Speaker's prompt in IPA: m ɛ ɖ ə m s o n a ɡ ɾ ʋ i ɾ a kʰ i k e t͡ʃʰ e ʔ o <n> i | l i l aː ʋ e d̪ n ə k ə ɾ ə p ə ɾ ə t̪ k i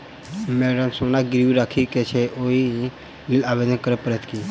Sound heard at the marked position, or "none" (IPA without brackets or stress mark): none